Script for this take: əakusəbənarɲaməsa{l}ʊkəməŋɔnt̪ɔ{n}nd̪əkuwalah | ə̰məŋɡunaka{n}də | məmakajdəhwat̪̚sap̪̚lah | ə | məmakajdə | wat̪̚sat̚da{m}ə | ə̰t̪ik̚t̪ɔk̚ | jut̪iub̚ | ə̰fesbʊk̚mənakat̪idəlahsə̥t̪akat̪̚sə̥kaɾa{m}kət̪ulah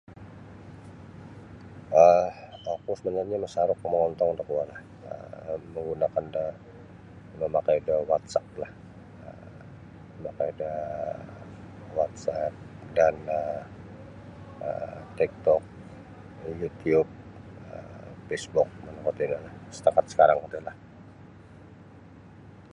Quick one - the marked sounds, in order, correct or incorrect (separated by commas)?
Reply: incorrect, incorrect, correct, incorrect, incorrect